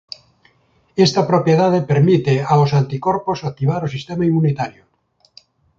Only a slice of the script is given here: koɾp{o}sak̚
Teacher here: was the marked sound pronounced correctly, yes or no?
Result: yes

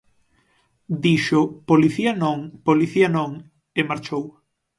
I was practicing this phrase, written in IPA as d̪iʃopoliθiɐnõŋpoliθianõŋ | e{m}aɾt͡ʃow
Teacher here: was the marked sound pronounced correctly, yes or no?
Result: yes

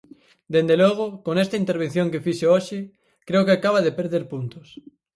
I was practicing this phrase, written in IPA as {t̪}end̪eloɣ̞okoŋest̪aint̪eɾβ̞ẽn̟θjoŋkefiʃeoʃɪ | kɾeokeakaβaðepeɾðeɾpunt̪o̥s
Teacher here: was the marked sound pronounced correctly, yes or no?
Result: no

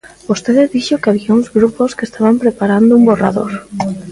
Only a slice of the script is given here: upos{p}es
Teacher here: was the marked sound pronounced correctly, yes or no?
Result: no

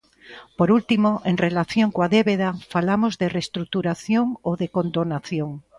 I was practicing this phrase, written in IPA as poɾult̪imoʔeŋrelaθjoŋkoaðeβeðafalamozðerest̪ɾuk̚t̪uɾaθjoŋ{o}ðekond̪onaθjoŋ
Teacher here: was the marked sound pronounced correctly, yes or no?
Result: yes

